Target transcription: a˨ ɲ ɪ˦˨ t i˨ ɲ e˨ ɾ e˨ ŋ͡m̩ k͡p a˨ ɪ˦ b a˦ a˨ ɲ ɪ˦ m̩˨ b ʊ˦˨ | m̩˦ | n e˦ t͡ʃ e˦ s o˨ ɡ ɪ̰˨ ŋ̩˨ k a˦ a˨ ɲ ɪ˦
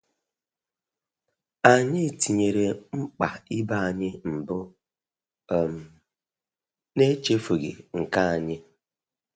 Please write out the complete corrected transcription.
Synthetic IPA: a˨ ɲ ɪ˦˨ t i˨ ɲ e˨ ɾ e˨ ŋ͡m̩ k͡p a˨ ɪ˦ b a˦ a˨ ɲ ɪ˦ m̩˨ b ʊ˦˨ | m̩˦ | n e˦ t͡ʃ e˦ f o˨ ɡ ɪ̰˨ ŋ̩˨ k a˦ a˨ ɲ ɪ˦

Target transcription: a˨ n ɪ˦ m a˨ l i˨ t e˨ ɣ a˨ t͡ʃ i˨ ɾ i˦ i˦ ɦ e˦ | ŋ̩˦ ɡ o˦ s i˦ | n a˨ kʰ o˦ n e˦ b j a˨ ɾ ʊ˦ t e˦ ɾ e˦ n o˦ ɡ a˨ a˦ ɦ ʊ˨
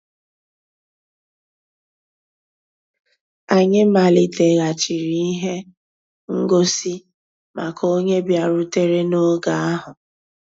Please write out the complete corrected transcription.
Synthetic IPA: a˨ ɲ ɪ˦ m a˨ l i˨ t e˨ ɣ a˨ t͡ʃ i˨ ɾ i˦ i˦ ɦ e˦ | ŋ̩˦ ɡ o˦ s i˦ | m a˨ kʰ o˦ ɲ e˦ b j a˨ ɾ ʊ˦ t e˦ ɾ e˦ n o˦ ɡ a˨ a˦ ɦ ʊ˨

